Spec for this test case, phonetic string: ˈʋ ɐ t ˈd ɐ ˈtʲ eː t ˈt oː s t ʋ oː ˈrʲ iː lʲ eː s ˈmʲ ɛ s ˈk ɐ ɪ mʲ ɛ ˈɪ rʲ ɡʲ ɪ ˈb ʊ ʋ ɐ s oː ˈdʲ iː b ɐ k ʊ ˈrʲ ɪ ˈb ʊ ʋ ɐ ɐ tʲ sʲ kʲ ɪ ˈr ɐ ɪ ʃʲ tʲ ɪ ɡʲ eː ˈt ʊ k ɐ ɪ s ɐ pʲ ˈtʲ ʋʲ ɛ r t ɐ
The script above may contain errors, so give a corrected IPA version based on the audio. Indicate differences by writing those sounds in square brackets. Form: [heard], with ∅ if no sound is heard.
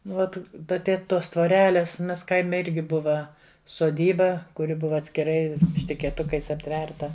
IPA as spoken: ˈʋ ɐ t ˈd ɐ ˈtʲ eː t ˈt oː s t ʋ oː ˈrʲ [æː] lʲ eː s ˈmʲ ɛ s ˈk ɐ ɪ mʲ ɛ ˈɪ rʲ ɡʲ ɪ ˈb ʊ ʋ ɐ s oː ˈdʲ iː b ɐ k ʊ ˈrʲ ɪ ˈb ʊ ʋ ɐ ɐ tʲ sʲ kʲ ɪ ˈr ɐ ɪ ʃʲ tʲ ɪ [kʲ] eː ˈt ʊ k ɐ ɪ s ɐ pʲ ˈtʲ ʋʲ ɛ r t ɐ